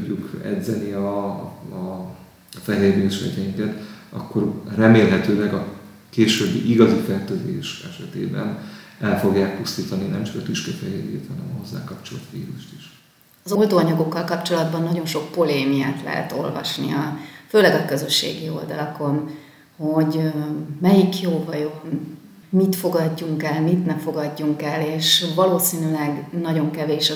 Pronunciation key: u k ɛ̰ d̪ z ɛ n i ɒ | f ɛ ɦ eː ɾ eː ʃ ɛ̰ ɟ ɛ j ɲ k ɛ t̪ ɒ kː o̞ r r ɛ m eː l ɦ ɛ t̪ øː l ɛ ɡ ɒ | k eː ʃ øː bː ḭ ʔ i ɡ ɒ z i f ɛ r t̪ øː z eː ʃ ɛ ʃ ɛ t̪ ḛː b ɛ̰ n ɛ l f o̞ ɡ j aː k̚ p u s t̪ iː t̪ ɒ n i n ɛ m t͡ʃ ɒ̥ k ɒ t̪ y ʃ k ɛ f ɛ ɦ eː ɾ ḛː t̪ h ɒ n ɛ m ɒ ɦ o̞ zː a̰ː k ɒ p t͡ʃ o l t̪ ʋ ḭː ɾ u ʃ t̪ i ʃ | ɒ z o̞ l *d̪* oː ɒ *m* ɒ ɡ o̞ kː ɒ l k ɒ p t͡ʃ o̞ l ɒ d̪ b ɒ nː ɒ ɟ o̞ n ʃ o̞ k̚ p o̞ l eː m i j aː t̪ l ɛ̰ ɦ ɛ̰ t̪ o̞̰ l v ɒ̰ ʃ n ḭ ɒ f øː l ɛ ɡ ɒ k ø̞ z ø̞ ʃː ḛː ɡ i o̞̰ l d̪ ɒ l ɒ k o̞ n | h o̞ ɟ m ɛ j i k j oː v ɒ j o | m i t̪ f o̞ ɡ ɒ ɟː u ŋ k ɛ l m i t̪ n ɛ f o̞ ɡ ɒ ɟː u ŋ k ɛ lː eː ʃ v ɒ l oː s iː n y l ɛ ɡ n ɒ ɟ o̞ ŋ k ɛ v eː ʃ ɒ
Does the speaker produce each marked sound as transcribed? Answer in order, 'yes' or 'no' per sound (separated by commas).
yes, no